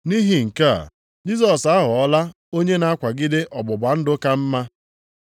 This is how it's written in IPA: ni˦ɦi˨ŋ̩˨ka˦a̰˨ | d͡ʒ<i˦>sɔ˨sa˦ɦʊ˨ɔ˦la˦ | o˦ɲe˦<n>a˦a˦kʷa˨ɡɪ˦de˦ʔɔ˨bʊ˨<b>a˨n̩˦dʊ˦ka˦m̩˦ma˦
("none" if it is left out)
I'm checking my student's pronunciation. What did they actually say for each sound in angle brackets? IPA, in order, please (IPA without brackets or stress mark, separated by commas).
i˦, n, b